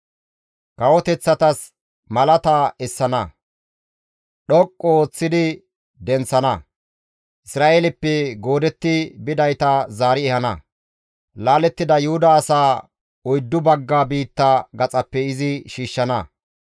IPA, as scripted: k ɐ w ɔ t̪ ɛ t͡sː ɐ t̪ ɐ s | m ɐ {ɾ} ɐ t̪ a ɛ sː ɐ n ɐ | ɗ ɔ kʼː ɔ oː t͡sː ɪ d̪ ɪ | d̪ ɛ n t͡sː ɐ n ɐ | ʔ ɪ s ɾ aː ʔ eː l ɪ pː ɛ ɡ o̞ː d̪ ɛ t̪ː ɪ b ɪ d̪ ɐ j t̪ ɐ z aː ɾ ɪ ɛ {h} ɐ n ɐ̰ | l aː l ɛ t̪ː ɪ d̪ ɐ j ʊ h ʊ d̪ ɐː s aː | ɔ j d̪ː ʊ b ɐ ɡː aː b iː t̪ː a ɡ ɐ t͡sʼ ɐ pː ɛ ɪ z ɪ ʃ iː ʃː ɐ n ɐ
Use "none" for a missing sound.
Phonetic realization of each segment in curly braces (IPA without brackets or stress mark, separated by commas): l, h